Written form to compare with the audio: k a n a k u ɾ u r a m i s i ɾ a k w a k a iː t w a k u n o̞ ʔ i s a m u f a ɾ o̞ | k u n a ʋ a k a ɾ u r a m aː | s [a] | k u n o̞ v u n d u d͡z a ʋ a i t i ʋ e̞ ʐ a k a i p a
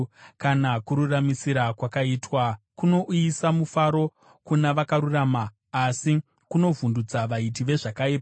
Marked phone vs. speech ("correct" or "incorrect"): incorrect